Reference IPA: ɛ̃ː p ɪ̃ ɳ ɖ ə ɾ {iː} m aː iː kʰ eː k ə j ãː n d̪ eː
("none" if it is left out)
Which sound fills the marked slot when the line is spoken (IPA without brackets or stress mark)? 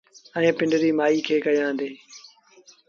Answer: iː